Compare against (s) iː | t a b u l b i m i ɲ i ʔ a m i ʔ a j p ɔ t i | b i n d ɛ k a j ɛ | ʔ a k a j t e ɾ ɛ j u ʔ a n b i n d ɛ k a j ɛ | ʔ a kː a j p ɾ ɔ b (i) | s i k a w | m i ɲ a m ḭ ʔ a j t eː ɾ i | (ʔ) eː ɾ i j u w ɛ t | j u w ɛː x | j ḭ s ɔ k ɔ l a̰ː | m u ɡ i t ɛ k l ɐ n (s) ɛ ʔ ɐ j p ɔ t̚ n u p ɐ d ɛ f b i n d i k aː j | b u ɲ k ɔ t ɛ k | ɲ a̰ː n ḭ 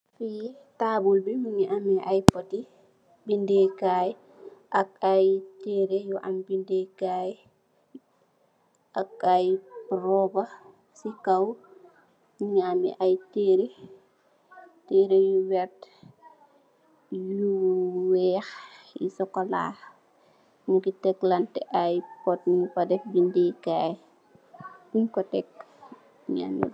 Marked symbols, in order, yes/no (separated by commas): no, no, no, no